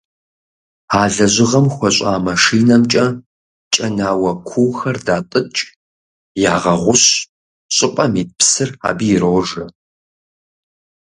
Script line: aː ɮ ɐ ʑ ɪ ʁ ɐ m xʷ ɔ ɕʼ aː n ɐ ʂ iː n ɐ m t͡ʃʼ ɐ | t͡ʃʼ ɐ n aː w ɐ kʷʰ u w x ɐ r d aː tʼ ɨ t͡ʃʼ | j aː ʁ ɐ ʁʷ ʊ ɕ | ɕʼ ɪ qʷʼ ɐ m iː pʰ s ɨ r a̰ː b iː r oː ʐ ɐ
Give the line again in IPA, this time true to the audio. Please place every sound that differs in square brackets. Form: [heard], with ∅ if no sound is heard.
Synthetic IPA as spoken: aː ɮ ɐ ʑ ɪ ʁ ɐ m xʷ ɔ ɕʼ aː [m] ɐ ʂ iː n ɐ m t͡ʃʼ ɐ | t͡ʃʼ ɐ n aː w ɐ kʷʰ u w x ɐ r d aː tʼ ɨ t͡ʃʼ | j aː ʁ ɐ ʁʷ ʊ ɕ | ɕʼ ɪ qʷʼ ɐ m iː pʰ s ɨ r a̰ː b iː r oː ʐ ɐ

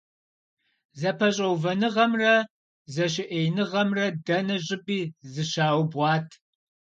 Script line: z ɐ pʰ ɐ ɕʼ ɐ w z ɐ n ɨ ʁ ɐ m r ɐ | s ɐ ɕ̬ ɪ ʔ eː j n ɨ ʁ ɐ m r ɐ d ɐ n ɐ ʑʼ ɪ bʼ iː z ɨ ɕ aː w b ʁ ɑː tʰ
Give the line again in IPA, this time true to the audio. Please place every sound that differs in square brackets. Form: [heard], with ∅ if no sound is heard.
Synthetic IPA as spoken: z ɐ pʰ ɐ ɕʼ ɐ w [v] ɐ n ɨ ʁ ɐ m r ɐ | [z] ɐ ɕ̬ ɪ ʔ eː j n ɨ ʁ ɐ m r ɐ d ɐ n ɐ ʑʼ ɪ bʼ iː z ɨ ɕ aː w b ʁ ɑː tʰ

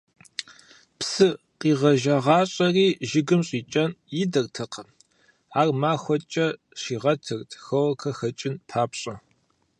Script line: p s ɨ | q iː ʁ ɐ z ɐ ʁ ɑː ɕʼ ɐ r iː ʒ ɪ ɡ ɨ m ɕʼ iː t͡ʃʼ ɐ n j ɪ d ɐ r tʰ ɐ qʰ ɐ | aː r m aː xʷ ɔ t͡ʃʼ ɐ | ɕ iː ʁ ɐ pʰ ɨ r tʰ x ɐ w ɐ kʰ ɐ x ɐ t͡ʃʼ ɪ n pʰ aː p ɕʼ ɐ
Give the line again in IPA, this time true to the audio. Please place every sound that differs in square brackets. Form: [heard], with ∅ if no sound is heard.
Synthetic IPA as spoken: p s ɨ | q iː ʁ ɐ [ʒ] ɐ ʁ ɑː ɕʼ ɐ r iː ʒ ɪ ɡ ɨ m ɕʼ iː t͡ʃʼ ɐ n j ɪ d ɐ r tʰ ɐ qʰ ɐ | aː r m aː xʷ ɔ t͡ʃʼ ɐ | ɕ iː ʁ ɐ [tʰ] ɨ r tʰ x ɐ w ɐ kʰ ɐ x ɐ t͡ʃʼ ɪ n pʰ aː p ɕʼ ɐ

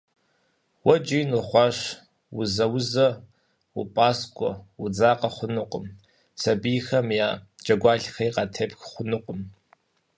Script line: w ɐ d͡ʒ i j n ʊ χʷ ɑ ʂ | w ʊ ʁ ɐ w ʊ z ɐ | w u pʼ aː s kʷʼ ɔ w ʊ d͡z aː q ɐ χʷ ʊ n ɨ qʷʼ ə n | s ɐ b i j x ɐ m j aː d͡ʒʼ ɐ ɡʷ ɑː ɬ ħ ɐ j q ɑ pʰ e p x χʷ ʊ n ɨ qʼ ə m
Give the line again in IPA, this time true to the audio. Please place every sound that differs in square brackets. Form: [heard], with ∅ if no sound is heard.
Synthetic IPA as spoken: w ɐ d͡ʒ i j n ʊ χʷ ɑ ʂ | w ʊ [z] ɐ w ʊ z ɐ | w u pʼ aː s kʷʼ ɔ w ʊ d͡z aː q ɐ χʷ ʊ n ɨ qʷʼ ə [m] | s ɐ b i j x ɐ m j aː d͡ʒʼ ɐ ɡʷ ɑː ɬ [x] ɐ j q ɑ [tʰ] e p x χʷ ʊ n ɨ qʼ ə m

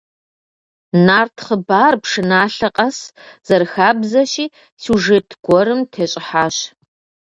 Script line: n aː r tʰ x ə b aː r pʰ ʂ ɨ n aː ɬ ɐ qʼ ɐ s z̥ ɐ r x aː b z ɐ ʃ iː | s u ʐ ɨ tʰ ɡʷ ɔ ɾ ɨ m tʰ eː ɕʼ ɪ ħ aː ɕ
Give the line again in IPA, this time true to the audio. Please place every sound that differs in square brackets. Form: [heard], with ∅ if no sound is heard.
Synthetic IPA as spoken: n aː r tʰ [χ] ə b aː r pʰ ʂ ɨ n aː ɬ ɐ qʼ ɐ s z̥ ɐ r x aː b z ɐ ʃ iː | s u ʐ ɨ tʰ ɡʷ ɔ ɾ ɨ m tʰ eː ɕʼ ɪ ħ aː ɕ

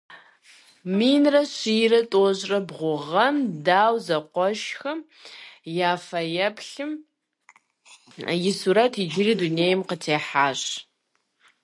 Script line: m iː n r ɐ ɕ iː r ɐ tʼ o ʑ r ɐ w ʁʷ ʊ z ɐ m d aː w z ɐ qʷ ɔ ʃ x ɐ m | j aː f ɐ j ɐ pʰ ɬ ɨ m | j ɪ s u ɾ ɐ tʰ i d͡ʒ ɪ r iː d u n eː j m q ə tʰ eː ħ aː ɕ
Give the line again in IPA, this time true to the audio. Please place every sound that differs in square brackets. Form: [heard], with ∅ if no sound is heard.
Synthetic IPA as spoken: m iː n r ɐ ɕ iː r ɐ tʼ o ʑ r ɐ [b] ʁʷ ʊ [ʁ] ɐ m d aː w z ɐ qʷ ɔ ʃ x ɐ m | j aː f ɐ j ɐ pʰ ɬ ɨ m | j ɪ s u ɾ ɐ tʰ i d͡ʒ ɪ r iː d u n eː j m q ə tʰ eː ħ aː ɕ

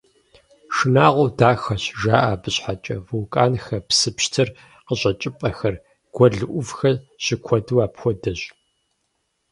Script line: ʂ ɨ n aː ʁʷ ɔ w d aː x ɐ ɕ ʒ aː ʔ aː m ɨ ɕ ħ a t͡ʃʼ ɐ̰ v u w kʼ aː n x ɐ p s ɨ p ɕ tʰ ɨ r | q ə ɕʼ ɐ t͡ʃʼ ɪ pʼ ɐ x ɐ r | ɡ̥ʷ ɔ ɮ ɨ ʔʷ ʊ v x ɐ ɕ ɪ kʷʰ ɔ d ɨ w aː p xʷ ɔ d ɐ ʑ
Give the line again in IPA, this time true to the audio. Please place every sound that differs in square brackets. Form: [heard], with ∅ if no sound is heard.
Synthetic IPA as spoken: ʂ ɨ n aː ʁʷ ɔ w d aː x ɐ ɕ ʒ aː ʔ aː [b] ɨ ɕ ħ a t͡ʃʼ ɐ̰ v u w kʼ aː n x ɐ p s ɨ p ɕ tʰ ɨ r | q ə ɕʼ ɐ t͡ʃʼ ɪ pʼ ɐ x ɐ r | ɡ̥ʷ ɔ ɮ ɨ ʔʷ ʊ v x ɐ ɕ ɪ kʷʰ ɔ d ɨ w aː p xʷ ɔ d ɐ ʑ

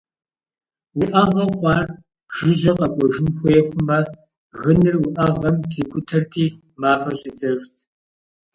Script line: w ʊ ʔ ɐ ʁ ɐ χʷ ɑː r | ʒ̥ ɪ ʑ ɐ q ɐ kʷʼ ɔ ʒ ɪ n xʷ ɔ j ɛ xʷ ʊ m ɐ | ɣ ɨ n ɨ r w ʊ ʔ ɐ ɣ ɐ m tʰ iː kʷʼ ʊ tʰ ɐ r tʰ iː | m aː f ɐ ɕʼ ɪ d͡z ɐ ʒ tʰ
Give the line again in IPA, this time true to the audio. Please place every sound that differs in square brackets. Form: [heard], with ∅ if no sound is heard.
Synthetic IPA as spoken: w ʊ ʔ ɐ ʁ ɐ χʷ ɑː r | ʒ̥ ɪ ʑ ɐ q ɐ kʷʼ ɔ ʒ ɪ n xʷ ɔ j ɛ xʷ ʊ m ɐ | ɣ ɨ n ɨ r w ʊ ʔ ɐ [ʁ] ɐ m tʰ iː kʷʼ ʊ tʰ ɐ r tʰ iː | m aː f ɐ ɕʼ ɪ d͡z ɐ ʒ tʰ

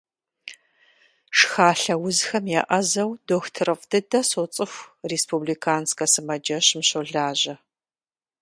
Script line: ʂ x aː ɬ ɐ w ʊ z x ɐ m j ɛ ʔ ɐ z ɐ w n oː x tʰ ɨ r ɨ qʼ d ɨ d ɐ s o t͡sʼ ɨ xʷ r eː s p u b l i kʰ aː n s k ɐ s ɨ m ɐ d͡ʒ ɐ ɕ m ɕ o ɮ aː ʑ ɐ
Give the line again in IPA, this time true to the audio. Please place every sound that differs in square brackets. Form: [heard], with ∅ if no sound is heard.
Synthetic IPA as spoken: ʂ x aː ɬ ɐ w ʊ z x ɐ m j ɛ ʔ ɐ z ɐ w [d] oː x tʰ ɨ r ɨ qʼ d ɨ d ɐ s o t͡sʼ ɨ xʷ r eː s p u b l i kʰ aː n s k ɐ s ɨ m ɐ d͡ʒ ɐ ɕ m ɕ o ɮ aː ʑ ɐ

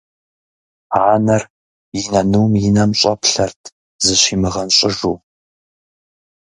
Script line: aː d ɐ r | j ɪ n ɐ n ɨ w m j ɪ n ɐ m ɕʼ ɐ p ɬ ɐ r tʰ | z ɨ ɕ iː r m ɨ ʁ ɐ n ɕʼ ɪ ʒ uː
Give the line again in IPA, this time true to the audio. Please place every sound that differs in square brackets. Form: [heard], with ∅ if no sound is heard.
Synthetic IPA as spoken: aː [n] ɐ r | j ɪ n ɐ n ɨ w m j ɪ n ɐ m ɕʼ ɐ p ɬ ɐ r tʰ | z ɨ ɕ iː [∅] m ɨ ʁ ɐ n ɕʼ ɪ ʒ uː

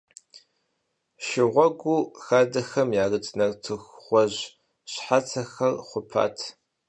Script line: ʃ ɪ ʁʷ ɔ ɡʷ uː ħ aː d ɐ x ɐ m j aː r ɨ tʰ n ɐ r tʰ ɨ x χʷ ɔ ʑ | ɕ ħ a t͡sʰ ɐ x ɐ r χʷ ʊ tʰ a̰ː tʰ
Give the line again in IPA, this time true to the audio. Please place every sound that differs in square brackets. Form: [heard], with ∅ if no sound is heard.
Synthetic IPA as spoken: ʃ ɪ ʁʷ ɔ ɡʷ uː [x] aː d ɐ x ɐ m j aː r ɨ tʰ n ɐ r tʰ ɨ x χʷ ɔ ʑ | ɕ ħ a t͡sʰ ɐ x ɐ r χʷ ʊ [pʰ] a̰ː tʰ

